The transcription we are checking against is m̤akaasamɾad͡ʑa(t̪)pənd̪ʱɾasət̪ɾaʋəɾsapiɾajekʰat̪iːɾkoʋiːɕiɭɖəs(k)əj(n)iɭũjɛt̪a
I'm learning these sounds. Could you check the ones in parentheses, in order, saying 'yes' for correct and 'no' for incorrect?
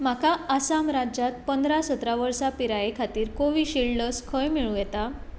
yes, no, no

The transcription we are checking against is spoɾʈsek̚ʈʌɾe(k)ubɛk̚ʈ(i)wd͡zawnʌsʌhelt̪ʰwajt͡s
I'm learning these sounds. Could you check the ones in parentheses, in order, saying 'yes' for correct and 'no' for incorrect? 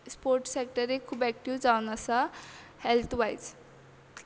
no, yes

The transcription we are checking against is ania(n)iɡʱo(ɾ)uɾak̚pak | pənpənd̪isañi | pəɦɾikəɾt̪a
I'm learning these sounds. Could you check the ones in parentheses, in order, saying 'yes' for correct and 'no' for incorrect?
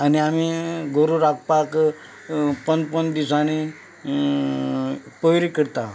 no, yes

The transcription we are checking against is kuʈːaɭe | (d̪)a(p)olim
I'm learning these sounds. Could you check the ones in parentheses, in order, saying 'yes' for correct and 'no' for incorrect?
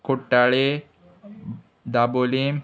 yes, no

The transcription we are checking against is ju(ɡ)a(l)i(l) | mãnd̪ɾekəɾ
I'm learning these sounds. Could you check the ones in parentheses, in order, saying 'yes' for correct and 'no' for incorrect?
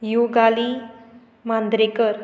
yes, yes, no

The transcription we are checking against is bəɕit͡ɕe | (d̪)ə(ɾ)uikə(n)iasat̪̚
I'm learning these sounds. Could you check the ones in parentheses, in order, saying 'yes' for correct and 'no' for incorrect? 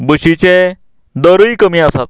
yes, yes, no

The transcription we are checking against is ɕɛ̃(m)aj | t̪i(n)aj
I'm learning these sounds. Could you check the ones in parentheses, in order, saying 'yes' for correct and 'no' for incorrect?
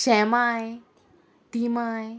yes, no

